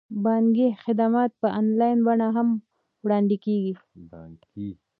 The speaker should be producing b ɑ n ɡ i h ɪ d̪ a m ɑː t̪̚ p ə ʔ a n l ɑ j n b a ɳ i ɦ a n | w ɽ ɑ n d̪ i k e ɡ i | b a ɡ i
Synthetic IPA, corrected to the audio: b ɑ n ɡ i x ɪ d̪ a m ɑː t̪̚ p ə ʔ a n l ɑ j n b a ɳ a ɦ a m | w ɽ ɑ n d̪ i k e ɡ i | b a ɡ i